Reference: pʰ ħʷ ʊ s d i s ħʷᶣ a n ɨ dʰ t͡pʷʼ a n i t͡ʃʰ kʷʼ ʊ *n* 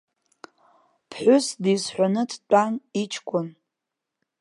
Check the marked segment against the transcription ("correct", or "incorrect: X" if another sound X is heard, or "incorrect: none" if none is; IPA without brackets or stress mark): correct